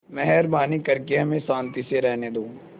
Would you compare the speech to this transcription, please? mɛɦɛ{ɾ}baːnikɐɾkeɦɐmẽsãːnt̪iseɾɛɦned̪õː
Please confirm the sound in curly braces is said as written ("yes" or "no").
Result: yes